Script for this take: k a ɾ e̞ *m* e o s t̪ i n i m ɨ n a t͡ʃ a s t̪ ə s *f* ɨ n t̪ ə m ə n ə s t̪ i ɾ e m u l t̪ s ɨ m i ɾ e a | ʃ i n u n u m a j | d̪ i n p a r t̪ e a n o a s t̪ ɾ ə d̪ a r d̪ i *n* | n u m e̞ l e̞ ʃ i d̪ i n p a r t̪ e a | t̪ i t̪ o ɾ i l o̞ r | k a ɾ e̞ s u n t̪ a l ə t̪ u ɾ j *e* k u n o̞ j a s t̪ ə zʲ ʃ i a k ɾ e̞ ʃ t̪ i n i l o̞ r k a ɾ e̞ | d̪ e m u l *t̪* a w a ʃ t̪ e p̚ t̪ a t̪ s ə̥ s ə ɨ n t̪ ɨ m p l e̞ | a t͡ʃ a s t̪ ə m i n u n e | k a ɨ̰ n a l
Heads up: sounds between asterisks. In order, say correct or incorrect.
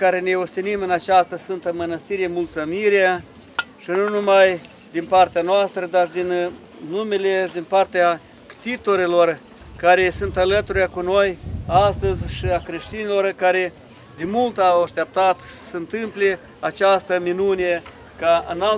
incorrect: n, correct, correct, incorrect: a, correct

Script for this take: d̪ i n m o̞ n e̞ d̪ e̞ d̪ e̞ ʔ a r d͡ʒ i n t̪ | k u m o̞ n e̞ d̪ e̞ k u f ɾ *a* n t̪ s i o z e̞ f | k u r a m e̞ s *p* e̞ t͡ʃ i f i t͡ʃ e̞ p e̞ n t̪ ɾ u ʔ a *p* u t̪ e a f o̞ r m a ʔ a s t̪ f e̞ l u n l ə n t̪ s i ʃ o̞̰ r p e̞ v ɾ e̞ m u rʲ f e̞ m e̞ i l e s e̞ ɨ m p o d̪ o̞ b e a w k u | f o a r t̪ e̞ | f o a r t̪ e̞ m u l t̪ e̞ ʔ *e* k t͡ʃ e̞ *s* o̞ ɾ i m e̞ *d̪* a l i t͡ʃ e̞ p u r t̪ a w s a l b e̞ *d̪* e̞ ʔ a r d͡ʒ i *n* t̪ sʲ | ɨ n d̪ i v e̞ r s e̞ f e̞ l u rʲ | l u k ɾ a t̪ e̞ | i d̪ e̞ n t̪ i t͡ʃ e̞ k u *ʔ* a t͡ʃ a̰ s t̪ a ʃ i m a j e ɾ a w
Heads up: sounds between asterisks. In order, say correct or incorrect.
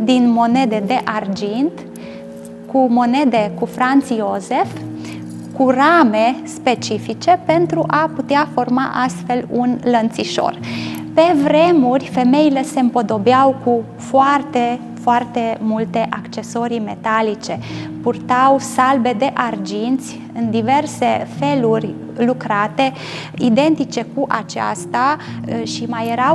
correct, correct, correct, incorrect: a, correct, incorrect: t̪, correct, correct, correct

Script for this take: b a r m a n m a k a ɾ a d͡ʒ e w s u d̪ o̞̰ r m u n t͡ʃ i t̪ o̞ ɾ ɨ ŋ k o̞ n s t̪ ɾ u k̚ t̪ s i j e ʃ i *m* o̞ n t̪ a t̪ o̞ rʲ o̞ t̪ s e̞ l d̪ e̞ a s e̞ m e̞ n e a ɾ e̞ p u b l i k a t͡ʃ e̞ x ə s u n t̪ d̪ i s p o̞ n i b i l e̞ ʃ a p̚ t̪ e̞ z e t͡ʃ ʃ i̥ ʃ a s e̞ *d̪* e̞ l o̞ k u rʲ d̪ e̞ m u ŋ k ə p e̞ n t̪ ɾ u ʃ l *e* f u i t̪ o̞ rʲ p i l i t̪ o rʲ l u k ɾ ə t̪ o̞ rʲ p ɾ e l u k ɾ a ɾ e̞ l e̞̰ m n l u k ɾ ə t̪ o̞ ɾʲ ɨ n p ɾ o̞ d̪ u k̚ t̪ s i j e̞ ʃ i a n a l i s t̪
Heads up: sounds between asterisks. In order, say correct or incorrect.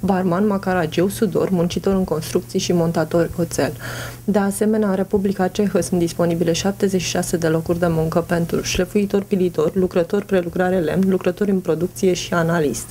correct, correct, correct

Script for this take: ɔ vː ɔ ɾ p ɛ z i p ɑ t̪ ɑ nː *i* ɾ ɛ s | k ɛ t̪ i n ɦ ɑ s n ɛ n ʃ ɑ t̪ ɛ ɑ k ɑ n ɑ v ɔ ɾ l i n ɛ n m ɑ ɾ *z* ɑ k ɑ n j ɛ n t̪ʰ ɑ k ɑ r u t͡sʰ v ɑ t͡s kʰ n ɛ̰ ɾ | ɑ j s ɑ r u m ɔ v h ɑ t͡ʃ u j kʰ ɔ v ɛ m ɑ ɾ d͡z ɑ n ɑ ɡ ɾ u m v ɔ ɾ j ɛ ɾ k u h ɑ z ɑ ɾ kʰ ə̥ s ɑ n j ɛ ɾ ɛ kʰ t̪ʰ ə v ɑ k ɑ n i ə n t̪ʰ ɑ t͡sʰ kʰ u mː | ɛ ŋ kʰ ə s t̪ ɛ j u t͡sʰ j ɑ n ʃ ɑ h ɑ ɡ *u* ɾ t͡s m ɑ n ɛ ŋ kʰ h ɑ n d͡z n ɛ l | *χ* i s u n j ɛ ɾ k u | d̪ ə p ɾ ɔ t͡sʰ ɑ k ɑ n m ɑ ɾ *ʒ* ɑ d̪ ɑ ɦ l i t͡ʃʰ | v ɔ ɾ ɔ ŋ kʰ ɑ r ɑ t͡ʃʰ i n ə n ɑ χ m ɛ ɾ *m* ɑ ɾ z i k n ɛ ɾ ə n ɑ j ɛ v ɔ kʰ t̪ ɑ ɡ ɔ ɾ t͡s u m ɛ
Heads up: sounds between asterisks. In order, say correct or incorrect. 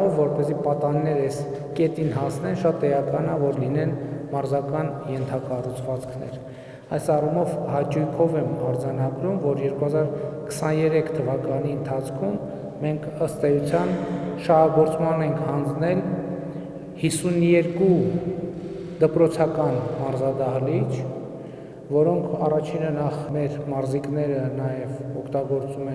incorrect: ɛ, correct, incorrect: ɔ, incorrect: h, incorrect: z, correct

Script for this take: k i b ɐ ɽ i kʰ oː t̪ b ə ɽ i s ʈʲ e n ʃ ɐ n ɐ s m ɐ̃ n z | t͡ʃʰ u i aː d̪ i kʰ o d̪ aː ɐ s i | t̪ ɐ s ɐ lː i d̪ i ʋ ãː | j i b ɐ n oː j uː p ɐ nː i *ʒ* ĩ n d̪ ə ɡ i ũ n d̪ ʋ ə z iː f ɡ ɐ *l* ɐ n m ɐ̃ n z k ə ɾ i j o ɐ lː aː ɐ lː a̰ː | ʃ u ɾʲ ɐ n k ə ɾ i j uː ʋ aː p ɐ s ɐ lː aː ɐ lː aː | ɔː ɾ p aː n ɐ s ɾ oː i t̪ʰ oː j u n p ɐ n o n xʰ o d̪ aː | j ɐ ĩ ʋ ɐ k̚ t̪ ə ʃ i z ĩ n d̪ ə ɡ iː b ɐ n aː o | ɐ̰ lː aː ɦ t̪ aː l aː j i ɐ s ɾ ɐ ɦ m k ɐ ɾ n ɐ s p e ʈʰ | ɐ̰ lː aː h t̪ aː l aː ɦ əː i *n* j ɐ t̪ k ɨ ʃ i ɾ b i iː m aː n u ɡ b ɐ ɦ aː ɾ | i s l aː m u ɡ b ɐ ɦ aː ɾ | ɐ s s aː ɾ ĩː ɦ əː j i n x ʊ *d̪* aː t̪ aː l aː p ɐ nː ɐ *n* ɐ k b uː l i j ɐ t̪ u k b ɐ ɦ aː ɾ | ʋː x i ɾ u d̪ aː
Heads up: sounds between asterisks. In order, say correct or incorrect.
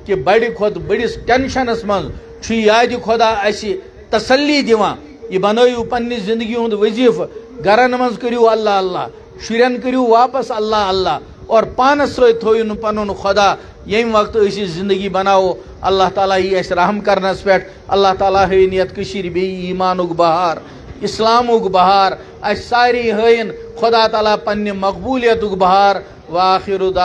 incorrect: z, incorrect: ɾ, correct, correct, incorrect: m

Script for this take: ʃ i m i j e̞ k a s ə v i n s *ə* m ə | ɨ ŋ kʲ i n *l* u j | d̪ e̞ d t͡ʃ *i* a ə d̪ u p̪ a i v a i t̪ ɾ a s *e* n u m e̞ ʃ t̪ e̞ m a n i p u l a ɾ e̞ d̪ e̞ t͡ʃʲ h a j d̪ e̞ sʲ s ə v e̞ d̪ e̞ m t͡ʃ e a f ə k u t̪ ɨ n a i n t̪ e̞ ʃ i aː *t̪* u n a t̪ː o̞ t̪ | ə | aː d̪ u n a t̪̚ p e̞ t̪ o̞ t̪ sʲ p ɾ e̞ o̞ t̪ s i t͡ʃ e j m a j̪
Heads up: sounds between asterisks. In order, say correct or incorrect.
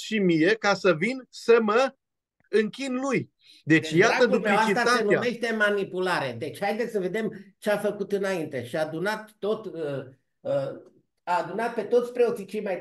correct, correct, incorrect: j, correct, incorrect: d̪

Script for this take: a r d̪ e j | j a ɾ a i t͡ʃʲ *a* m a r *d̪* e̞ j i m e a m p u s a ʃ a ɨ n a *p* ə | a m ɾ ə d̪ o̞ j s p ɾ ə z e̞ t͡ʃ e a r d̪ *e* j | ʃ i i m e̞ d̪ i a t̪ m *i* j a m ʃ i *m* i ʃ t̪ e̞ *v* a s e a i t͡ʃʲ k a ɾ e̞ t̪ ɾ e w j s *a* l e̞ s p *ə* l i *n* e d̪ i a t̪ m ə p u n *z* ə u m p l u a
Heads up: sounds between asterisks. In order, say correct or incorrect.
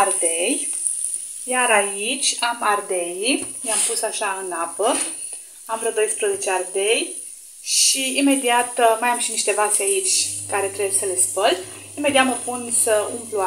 correct, correct, correct, correct, incorrect: a, incorrect: n, correct, incorrect: ə, correct, incorrect: m, incorrect: s

